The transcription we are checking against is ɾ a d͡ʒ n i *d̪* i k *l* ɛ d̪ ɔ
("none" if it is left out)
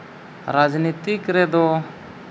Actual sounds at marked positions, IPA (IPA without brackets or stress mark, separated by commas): t̪, ɾ